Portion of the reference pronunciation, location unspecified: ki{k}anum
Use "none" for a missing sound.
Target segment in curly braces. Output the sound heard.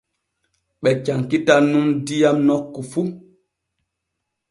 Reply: t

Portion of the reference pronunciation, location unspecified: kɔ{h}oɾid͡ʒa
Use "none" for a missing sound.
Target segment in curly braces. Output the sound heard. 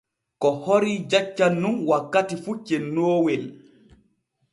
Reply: h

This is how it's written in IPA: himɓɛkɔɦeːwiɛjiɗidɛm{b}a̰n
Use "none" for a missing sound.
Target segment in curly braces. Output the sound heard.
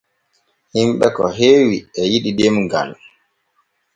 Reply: ɡ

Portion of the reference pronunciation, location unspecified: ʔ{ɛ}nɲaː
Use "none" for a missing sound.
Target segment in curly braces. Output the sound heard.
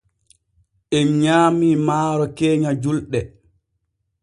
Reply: ɛ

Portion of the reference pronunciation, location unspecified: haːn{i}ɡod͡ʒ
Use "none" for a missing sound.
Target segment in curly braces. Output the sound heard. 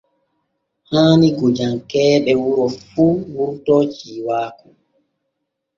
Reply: i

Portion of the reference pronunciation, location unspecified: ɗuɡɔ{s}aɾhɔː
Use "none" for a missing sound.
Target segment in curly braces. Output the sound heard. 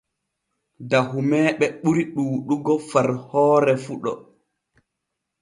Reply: f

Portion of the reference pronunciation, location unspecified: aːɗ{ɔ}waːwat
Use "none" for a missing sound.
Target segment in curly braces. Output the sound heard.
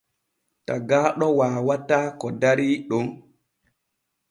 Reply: ɔ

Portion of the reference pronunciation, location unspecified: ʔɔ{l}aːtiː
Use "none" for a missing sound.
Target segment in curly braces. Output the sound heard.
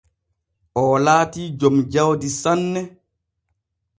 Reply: l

